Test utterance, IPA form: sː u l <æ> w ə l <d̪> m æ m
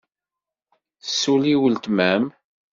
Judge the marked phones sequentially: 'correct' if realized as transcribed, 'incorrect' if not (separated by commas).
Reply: incorrect, incorrect